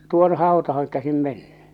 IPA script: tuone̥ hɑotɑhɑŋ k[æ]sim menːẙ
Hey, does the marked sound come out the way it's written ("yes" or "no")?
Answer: yes